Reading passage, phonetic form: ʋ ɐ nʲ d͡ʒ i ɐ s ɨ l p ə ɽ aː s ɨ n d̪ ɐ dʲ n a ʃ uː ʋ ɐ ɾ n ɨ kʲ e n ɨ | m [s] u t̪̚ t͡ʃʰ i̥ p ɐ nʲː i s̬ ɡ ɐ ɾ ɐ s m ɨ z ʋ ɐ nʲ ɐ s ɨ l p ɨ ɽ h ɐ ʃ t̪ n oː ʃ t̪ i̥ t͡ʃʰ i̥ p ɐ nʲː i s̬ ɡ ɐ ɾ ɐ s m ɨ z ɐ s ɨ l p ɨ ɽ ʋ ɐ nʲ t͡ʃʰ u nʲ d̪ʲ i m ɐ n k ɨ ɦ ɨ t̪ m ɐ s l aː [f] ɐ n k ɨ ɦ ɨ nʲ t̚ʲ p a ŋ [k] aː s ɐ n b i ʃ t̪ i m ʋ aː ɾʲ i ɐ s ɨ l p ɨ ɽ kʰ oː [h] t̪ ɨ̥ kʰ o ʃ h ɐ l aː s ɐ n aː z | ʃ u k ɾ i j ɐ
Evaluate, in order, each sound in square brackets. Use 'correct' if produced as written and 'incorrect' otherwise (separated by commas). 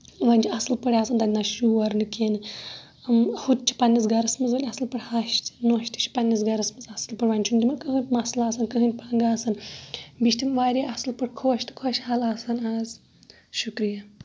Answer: incorrect, incorrect, incorrect, incorrect